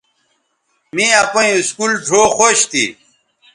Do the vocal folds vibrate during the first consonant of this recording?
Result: yes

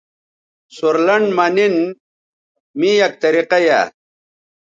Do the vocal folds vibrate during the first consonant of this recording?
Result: no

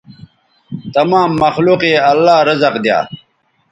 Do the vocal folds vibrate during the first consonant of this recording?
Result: no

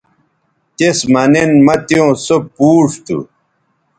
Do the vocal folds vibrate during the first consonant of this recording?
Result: no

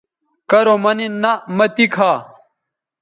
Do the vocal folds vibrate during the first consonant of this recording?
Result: no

